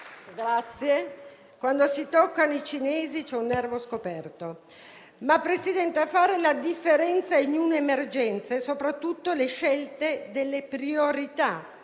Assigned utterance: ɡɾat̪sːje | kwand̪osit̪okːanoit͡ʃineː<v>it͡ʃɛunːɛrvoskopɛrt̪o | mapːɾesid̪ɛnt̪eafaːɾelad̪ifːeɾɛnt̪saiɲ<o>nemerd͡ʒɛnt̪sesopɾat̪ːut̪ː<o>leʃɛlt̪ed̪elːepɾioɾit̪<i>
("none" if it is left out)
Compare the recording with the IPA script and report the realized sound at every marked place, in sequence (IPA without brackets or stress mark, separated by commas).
z, u, o, a